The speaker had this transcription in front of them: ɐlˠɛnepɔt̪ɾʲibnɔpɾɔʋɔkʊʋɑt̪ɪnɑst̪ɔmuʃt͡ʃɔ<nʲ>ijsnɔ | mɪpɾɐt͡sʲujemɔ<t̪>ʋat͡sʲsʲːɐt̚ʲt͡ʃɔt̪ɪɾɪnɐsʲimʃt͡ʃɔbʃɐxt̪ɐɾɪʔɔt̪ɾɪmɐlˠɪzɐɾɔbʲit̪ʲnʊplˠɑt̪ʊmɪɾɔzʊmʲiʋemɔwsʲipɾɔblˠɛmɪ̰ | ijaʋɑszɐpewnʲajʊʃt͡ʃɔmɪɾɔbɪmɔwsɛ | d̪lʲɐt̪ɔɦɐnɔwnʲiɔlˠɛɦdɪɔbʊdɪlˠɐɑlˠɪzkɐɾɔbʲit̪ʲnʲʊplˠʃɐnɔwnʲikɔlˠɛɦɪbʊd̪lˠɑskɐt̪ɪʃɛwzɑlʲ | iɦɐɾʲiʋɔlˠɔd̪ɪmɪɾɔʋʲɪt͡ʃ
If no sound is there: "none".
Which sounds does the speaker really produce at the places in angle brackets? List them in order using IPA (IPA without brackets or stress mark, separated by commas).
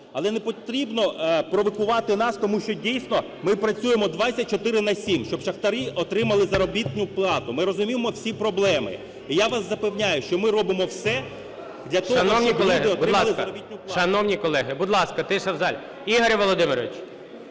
dʲ, d̪